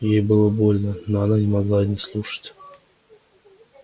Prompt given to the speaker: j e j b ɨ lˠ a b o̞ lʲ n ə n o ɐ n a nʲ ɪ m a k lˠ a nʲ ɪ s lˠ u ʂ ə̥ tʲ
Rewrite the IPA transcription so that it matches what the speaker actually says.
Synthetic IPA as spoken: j e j b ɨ lˠ ə b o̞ lʲ n ə n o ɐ n a nʲ ɪ m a ɡ lˠ a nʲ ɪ s lˠ u ʂ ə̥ tʲ